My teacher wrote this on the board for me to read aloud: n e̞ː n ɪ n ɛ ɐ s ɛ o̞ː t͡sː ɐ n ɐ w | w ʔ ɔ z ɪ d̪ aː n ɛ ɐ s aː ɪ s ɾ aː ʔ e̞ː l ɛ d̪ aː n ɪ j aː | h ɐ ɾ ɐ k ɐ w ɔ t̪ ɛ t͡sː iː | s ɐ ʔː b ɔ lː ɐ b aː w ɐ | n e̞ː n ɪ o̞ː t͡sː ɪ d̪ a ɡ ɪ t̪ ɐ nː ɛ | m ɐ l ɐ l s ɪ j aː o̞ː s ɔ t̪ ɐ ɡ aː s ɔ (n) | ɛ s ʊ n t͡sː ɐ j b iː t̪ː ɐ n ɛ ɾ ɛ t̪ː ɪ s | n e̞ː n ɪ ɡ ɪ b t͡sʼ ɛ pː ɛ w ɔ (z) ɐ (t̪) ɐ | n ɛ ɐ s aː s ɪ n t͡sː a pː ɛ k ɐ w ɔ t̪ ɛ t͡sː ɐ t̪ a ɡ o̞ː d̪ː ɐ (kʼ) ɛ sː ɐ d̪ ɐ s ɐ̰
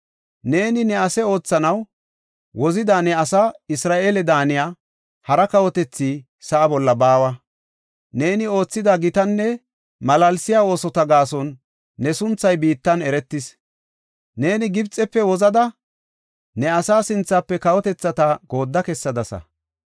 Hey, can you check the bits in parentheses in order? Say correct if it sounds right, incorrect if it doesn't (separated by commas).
incorrect, correct, incorrect, incorrect